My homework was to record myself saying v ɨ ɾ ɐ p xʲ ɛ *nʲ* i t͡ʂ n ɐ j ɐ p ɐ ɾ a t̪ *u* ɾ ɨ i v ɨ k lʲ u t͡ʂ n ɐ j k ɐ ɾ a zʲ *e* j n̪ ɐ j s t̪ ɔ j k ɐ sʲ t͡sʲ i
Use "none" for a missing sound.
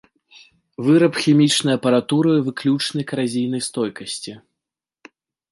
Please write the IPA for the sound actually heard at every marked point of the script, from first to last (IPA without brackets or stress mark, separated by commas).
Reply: mʲ, u, i